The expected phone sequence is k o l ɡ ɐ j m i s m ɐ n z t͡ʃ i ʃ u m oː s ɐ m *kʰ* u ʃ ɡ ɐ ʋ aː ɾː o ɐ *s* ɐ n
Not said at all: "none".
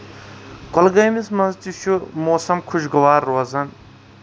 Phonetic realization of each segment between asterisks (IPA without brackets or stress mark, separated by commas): kʰ, z